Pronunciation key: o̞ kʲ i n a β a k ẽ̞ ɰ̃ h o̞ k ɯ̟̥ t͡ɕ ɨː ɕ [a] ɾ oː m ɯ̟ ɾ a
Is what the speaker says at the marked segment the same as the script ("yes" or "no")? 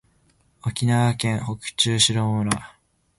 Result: no